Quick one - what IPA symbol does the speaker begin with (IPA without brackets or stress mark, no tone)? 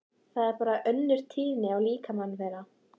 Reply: θ